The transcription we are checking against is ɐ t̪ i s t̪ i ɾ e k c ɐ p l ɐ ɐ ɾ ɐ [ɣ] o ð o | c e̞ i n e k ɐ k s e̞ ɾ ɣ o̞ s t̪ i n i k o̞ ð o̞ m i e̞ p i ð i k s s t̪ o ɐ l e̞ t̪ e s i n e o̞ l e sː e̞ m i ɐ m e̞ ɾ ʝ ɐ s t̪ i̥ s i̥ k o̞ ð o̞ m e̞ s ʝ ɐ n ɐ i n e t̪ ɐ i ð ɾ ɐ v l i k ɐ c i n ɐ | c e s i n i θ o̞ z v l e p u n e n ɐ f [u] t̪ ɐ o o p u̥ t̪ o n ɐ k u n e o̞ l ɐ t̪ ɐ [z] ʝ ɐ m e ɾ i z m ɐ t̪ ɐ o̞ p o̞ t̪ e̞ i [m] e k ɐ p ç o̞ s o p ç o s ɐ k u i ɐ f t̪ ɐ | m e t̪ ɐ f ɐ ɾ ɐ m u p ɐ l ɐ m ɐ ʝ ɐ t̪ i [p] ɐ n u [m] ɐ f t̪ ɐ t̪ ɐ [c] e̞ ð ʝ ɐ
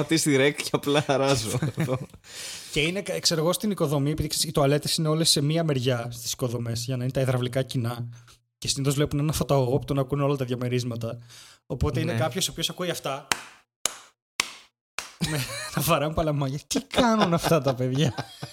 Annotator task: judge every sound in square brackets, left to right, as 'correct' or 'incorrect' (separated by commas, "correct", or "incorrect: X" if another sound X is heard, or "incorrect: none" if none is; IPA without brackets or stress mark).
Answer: incorrect: z, incorrect: o, incorrect: ð, incorrect: n, incorrect: k, incorrect: n, incorrect: p